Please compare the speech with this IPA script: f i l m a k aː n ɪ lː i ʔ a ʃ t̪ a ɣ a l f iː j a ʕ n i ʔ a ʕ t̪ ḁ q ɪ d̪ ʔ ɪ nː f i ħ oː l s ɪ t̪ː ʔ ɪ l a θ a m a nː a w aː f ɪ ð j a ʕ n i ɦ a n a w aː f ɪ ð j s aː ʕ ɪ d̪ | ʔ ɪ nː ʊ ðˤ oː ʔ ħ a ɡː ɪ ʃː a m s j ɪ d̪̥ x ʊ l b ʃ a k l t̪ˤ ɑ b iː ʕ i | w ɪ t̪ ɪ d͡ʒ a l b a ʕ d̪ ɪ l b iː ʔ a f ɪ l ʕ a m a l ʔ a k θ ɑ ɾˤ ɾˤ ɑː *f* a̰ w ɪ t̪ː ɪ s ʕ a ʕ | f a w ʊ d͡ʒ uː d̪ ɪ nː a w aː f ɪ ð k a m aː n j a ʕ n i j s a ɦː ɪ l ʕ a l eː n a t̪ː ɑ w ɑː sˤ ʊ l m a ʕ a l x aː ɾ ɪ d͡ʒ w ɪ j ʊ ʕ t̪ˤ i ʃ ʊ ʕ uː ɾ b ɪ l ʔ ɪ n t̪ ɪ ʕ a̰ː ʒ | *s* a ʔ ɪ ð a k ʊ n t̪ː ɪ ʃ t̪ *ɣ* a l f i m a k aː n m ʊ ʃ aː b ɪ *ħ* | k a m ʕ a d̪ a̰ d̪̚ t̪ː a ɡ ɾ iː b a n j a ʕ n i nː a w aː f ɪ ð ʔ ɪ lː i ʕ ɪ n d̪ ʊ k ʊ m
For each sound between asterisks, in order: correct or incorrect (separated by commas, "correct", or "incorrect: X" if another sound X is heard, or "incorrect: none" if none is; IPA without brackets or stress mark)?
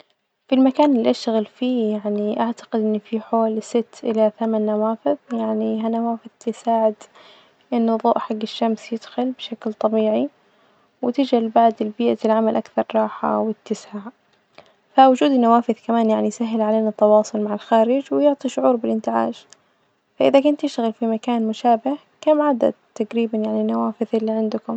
incorrect: ħ, incorrect: f, correct, incorrect: h